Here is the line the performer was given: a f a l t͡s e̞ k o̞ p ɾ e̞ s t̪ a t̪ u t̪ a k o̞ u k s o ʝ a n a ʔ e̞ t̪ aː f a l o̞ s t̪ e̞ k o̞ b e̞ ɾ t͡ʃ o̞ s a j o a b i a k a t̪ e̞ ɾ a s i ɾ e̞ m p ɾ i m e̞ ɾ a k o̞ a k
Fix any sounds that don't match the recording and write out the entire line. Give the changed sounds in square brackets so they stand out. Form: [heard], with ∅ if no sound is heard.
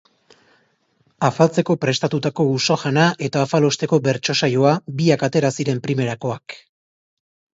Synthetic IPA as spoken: a f a l t͡s e̞ k o̞ p ɾ e̞ s t̪ a t̪ u t̪ a k o̞ u [∅] s o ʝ a n a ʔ e̞ t̪ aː f a l o̞ s t̪ e̞ k o̞ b e̞ ɾ t͡ʃ o̞ s a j o a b i a k a t̪ e̞ ɾ a s i ɾ e̞ m p ɾ i m e̞ ɾ a k o̞ a k